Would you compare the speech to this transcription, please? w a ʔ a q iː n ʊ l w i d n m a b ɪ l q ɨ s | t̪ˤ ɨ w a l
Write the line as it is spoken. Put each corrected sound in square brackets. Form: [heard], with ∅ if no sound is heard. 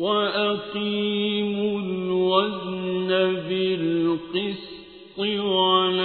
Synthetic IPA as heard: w a ʔ a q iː [m] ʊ l w [a] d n [n] a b ɪ l q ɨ s | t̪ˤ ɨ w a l

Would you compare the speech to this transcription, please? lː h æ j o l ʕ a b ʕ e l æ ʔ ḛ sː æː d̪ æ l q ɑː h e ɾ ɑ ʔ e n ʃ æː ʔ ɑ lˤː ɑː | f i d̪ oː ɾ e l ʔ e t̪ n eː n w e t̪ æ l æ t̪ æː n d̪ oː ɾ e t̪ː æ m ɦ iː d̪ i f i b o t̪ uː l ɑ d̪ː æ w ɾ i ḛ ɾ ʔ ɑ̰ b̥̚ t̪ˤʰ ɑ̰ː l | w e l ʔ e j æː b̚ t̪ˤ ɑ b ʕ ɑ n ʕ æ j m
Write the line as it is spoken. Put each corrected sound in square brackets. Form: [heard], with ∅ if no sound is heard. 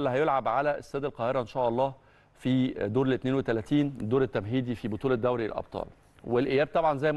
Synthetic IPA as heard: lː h æ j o l ʕ a b ʕ [a] l æ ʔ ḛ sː æː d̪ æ l q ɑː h e ɾ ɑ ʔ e n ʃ æː ʔ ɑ lˤː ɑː | f i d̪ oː ɾ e l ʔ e t̪ n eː n w e t̪ æ l æ t̪ [iː] n d̪ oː ɾ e t̪ː æ m ɦ iː d̪ i f i b o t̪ uː l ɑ d̪ː æ w ɾ i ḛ [l] ʔ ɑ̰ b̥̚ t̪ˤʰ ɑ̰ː l | w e l ʔ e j æː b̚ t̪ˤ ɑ b ʕ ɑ n [z] æ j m

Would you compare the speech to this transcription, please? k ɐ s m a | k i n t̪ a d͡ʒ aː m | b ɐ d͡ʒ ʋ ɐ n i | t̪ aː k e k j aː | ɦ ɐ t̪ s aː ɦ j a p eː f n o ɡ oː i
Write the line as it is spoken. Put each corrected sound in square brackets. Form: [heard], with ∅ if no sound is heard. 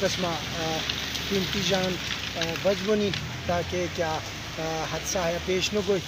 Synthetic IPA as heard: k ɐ s m a | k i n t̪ [i] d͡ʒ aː [n] | b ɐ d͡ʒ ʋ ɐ n i | t̪ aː k e k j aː | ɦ ɐ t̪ s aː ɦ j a p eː [ʃ] n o ɡ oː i

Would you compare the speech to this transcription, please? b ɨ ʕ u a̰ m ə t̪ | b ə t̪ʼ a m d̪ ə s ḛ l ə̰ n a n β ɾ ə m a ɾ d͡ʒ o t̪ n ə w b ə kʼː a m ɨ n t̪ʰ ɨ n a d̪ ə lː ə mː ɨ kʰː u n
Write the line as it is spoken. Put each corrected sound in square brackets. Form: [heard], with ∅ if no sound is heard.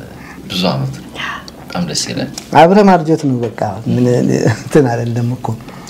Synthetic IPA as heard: b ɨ [z] u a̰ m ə t̪ | b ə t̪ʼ a m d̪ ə s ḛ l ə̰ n a [∅] β ɾ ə m a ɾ d͡ʒ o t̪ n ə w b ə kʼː a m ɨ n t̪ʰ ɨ n a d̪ ə lː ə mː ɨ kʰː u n

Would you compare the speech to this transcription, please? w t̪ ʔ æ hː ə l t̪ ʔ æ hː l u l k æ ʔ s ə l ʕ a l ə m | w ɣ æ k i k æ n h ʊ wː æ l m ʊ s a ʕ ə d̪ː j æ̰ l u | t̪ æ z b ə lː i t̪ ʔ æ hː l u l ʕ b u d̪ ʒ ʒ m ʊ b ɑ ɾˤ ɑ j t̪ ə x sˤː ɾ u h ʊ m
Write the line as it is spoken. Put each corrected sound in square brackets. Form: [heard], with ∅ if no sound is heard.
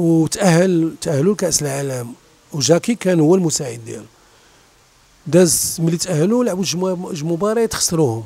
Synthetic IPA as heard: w t̪ ʔ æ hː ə l t̪ ʔ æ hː l u l k æ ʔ s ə l ʕ a l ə m | w [ʒ] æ k i k æ n h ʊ wː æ l m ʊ s a ʕ ə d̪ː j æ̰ l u | [d̪] æ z [m] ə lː i t̪ ʔ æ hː l u l ʕ b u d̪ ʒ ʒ m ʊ b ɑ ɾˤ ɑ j t̪ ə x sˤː ɾ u h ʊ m

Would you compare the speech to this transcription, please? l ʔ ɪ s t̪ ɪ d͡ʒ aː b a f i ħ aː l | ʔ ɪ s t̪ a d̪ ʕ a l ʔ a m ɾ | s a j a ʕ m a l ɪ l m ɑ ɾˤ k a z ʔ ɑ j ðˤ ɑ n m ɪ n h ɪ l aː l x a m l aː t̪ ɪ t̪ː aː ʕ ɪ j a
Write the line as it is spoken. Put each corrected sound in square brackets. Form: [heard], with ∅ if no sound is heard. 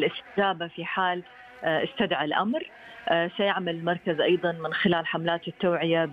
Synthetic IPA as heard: l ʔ ɪ s t̪ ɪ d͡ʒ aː b a f i ħ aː l | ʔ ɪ s t̪ a d̪ ʕ a l ʔ a m ɾ | s a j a ʕ m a l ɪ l m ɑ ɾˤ k a z ʔ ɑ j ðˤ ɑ n m ɪ n [x] ɪ l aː l [ħ] a m l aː t̪ ɪ t̪ː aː ʕ ɪ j a

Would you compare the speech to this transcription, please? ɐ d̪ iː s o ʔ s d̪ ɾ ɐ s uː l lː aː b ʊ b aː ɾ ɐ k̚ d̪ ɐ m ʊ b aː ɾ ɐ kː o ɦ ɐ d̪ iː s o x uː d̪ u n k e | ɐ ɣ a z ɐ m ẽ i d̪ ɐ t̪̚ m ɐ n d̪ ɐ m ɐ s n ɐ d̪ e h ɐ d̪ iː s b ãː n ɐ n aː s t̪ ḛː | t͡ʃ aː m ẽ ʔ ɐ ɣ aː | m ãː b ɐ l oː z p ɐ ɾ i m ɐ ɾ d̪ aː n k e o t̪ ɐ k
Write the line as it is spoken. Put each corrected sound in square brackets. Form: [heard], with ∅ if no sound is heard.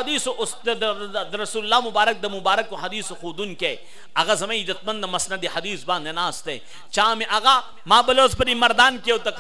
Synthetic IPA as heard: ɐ d̪ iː s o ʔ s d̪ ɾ ɐ s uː l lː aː [m] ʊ b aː ɾ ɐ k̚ d̪ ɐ m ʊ b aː ɾ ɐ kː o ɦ ɐ d̪ iː s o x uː d̪ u n k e | ɐ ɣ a z ɐ m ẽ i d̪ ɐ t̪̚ m ɐ n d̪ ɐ m ɐ s n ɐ d̪ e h ɐ d̪ iː s b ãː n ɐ n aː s t̪ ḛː | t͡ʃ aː m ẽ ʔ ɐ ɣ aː | m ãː b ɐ l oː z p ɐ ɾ i m ɐ ɾ d̪ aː n k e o t̪ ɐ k

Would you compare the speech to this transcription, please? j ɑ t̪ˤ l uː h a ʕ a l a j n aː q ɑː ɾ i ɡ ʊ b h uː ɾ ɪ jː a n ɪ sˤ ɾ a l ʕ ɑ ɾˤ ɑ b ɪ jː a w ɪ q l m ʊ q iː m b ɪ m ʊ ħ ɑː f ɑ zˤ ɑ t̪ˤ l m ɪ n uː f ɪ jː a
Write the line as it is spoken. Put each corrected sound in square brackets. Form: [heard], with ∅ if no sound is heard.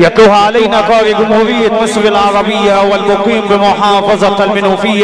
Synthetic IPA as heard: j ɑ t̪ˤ l uː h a ʕ a l a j n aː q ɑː ɾ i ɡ ʊ [m] h uː ɾ ɪ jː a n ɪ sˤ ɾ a l ʕ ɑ ɾˤ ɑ b ɪ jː a w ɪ [∅] l m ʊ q iː m b ɪ m ʊ ħ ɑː f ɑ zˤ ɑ [∅] l m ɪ n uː f ɪ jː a

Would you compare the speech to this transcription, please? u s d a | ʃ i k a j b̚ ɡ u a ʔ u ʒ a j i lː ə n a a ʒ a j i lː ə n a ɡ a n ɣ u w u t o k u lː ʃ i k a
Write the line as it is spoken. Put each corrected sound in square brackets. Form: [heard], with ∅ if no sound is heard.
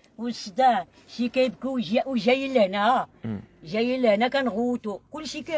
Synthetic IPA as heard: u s d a | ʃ i k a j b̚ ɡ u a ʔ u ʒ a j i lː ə n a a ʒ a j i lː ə n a [k] a n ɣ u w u t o k u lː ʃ i k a

